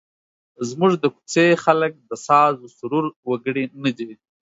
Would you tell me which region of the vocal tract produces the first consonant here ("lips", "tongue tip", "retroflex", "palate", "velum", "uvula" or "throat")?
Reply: tongue tip